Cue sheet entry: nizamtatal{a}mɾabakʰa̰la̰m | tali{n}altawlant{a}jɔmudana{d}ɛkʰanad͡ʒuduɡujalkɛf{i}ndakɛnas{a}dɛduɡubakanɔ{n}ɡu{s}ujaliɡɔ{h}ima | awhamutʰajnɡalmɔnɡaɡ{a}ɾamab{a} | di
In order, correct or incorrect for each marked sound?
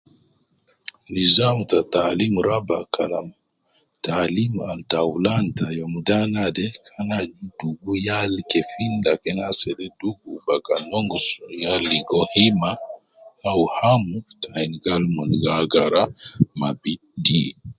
incorrect, incorrect, correct, correct, correct, incorrect, incorrect, correct, correct, correct, incorrect

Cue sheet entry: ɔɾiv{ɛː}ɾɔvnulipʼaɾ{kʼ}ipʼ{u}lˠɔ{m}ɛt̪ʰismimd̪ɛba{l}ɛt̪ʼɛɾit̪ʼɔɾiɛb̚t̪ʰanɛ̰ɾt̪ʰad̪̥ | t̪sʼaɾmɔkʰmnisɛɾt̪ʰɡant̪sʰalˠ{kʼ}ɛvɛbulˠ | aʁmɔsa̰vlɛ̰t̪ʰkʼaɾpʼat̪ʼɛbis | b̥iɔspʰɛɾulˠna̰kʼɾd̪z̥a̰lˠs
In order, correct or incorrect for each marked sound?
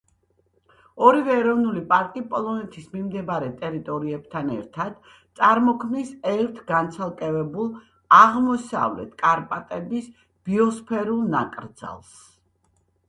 correct, correct, incorrect, incorrect, incorrect, correct

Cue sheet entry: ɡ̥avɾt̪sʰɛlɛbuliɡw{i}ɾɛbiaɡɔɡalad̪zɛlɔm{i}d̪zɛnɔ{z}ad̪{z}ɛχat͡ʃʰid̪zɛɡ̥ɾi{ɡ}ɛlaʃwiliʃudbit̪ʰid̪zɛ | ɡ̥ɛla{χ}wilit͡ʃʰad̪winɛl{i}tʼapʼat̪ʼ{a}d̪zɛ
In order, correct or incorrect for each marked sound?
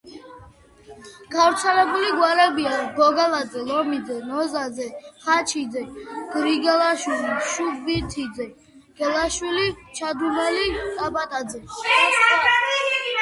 incorrect, correct, correct, correct, correct, incorrect, correct, correct

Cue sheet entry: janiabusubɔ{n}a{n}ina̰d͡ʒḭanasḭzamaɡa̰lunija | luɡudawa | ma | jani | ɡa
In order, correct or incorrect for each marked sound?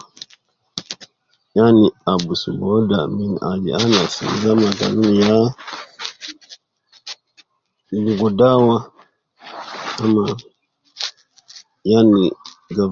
incorrect, incorrect

